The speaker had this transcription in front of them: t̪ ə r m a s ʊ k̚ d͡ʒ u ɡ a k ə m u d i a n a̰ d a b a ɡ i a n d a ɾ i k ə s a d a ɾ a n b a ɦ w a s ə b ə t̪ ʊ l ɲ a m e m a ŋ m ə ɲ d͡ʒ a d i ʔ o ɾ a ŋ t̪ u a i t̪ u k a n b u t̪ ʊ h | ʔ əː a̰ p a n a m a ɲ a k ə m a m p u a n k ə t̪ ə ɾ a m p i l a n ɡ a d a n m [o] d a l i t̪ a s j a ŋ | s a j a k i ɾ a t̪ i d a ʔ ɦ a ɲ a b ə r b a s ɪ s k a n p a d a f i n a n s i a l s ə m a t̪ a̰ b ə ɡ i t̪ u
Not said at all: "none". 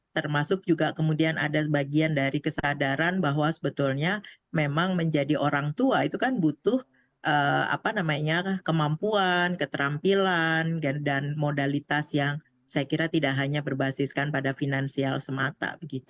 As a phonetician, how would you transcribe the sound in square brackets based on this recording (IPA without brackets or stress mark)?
o